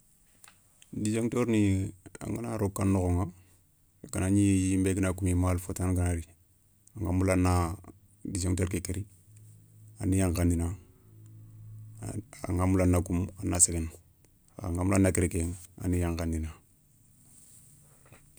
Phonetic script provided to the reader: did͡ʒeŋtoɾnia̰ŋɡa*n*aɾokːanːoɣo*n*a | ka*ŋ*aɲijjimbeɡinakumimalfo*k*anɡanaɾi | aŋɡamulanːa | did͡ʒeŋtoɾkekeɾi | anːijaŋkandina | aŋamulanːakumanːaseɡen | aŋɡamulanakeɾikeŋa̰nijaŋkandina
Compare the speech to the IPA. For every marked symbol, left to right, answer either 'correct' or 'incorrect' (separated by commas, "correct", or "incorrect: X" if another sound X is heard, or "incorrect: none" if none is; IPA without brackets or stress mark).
correct, incorrect: ŋ, incorrect: n, incorrect: t